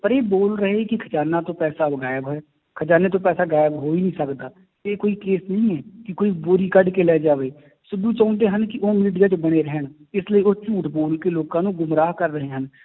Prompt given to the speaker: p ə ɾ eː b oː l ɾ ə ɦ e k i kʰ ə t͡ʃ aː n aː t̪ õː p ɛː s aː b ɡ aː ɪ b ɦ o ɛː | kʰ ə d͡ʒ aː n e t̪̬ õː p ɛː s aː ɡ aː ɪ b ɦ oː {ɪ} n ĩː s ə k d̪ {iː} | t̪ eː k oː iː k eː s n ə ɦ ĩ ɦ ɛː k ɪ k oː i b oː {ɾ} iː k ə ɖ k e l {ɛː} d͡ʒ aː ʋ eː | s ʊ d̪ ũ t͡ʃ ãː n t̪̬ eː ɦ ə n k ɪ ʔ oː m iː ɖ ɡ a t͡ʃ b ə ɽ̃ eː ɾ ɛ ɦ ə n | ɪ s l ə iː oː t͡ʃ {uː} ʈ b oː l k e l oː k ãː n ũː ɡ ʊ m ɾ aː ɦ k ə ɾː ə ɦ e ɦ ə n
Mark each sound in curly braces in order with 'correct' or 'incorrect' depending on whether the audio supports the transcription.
incorrect, incorrect, correct, correct, correct

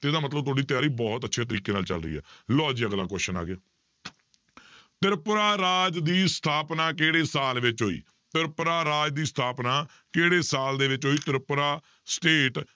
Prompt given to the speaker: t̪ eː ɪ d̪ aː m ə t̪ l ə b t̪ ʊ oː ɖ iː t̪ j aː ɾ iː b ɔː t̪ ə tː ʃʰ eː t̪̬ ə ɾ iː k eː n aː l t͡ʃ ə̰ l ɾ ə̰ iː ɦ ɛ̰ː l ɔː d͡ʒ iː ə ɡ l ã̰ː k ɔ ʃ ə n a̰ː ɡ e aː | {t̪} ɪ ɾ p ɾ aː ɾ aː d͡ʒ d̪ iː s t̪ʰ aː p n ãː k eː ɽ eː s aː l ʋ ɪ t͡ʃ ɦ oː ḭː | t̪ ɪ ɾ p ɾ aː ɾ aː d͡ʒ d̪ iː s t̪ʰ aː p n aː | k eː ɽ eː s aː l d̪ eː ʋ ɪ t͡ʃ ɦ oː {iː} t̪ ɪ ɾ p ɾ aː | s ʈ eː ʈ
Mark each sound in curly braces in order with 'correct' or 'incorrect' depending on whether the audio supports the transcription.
correct, correct

